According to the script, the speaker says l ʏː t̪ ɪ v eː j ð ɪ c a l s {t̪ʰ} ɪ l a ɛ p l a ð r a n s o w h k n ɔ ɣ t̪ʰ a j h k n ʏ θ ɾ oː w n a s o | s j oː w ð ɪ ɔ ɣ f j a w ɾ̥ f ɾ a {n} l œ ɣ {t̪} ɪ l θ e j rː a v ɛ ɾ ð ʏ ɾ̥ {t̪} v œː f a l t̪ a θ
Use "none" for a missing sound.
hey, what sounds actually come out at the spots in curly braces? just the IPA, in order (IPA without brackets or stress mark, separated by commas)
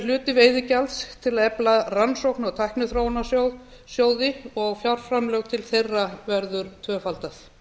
t̪ʰ, m, t̪ʰ, t̪ʰ